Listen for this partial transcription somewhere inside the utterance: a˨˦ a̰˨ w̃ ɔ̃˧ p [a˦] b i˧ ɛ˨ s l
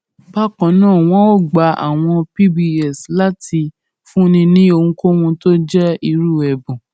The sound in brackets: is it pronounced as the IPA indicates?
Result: no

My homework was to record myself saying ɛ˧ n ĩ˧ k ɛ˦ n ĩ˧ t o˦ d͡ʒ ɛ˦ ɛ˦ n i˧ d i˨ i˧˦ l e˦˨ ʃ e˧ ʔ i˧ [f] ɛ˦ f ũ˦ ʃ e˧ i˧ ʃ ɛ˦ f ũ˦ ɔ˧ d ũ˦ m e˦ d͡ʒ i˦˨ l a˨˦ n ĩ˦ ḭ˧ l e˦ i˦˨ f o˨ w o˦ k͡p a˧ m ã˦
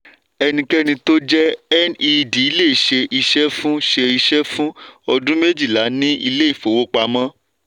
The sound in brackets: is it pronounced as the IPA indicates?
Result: no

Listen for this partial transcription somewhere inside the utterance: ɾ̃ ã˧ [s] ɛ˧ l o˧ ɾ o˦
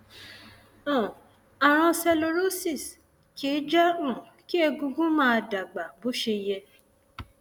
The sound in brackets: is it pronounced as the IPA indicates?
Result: yes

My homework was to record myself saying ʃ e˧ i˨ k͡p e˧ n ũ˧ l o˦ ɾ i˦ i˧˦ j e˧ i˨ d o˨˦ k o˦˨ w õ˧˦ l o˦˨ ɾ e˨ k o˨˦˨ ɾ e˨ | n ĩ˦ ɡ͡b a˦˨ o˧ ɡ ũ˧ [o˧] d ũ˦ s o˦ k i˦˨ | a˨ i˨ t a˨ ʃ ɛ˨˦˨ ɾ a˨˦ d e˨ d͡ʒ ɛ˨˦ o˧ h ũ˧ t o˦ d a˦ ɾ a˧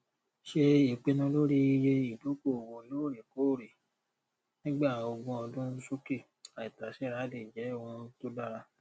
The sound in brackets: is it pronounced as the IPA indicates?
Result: no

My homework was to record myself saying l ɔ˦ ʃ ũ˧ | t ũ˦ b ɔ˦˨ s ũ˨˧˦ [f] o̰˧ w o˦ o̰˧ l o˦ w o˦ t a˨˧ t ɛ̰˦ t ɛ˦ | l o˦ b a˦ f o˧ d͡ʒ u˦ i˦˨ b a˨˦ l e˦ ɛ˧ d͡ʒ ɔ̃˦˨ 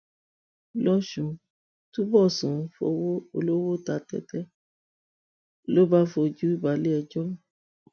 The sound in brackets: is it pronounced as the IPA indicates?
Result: yes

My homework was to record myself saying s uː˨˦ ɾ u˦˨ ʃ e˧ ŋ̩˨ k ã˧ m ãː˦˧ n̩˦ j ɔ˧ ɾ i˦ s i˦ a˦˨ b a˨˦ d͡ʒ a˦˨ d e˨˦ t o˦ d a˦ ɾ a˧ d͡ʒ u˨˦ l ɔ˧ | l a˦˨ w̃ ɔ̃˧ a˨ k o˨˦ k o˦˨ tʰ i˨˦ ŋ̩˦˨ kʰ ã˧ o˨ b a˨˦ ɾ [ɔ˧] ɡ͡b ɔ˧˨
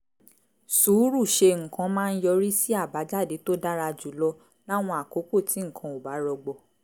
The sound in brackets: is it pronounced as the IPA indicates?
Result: yes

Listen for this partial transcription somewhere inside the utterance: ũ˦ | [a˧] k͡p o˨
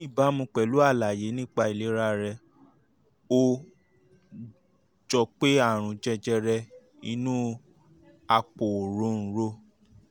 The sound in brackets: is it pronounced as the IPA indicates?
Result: yes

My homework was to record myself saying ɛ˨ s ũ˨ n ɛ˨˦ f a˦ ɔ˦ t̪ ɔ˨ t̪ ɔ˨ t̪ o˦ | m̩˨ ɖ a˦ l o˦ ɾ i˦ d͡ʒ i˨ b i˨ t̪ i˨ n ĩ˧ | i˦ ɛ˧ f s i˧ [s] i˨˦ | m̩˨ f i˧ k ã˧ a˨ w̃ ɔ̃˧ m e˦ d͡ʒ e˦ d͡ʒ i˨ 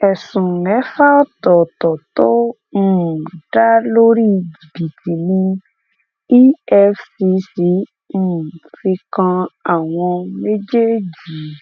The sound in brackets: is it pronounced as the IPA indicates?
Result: yes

